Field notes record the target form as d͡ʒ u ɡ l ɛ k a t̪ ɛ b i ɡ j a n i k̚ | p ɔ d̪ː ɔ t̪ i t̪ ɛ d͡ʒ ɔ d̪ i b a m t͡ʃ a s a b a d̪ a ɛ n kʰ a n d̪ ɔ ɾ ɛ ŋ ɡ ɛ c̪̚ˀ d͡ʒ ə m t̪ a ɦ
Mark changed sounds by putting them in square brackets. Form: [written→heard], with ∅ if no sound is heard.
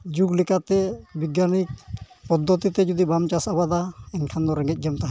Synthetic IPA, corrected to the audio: d͡ʒ u ɡ l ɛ k a t̪ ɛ b i ɡ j a n i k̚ | p ɔ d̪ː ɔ t̪ i t̪ ɛ d͡ʒ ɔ d̪ i b a m t͡ʃ a s a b a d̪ a ɛ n kʰ a n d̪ ɔ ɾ ɛ ŋ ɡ ɛ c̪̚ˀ d͡ʒ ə m t̪ a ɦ